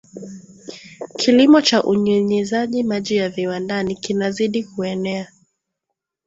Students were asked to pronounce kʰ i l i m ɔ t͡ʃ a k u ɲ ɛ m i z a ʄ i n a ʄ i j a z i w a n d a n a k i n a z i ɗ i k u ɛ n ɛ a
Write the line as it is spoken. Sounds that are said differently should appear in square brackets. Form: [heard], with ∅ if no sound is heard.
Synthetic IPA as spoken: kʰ i l i m ɔ t͡ʃ a [ʔ] u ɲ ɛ [ɲ] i z a ʄ i [m] a ʄ i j a [v] i w a n d a n [i] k i n a z i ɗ i k u ɛ n ɛ a